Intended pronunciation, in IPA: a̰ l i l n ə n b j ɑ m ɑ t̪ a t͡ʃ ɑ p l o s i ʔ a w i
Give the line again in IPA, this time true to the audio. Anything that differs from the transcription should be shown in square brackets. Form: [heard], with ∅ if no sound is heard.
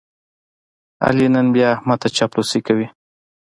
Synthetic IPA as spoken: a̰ l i [∅] n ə n b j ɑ m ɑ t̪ a t͡ʃ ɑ p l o s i [k] a w i